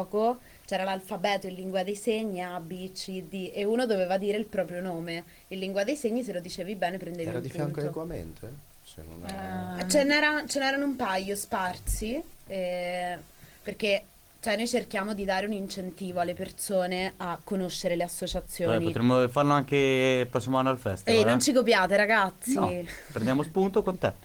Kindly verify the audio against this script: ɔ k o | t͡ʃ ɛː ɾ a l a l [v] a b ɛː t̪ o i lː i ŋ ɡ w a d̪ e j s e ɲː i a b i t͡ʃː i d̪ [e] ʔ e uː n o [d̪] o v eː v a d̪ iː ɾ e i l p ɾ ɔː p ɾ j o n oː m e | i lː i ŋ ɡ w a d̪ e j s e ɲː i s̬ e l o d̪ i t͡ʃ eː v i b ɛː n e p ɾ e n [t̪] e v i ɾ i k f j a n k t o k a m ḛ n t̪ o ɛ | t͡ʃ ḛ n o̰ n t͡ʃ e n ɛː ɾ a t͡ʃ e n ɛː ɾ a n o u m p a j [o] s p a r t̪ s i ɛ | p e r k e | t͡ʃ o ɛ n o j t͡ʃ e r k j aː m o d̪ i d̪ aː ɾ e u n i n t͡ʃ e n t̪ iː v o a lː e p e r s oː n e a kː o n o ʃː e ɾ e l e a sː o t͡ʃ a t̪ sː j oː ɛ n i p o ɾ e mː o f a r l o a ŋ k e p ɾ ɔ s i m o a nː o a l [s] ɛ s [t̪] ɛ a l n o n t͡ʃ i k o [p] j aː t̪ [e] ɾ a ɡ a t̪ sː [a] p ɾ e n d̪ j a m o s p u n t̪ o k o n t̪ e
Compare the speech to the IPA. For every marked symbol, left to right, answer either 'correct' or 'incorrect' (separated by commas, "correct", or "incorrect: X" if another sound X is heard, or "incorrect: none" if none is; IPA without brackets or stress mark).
incorrect: f, incorrect: i, correct, incorrect: d̪, correct, incorrect: f, correct, correct, correct, incorrect: i